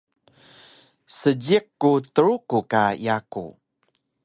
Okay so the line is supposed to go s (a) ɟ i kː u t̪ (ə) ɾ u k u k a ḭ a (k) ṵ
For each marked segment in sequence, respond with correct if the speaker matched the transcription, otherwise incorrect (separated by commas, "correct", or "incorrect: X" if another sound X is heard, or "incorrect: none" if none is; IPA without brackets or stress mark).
incorrect: ə, correct, correct